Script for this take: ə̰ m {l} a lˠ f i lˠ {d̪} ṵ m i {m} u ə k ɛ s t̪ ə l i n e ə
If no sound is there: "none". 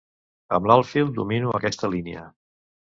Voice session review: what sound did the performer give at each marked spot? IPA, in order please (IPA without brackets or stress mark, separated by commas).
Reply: l, d̪, n